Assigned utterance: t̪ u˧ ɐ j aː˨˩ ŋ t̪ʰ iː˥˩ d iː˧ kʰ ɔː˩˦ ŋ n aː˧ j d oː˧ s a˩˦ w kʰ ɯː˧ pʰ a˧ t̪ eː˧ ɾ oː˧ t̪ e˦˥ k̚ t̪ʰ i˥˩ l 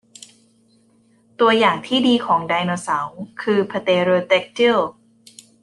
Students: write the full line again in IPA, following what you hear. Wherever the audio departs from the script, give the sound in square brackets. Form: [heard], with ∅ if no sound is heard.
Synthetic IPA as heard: t̪ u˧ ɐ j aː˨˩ ŋ t̪ʰ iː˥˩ d iː˧ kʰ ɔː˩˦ ŋ [d] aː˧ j [n] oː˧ s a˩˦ w kʰ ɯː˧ pʰ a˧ t̪ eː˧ ɾ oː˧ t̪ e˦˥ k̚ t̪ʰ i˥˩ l